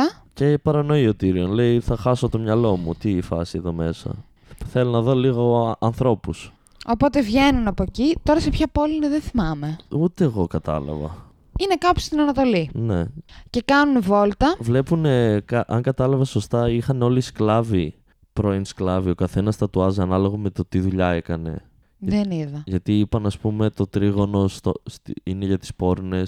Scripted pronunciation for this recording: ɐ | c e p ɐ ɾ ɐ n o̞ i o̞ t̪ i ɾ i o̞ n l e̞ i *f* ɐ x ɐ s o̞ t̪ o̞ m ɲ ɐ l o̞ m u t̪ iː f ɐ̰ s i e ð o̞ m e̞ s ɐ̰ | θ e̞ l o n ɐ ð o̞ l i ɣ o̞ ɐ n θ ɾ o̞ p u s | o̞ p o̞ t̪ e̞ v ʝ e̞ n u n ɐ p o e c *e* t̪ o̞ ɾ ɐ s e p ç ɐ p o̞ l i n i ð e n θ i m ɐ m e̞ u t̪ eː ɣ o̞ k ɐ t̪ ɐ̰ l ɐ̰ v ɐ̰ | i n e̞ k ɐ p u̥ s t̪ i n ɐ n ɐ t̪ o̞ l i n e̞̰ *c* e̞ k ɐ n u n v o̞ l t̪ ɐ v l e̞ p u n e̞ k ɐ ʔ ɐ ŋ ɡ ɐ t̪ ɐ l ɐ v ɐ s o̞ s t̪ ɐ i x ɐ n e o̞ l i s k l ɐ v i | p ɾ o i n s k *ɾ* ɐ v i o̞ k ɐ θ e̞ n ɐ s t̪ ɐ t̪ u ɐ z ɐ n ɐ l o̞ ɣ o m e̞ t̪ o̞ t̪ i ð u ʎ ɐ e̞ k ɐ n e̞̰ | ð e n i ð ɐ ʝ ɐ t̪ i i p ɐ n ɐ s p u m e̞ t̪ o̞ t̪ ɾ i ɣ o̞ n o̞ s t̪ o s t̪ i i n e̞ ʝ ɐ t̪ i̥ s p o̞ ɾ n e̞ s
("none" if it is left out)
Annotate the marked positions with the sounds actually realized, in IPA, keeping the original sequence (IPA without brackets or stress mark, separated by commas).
θ, i, c, l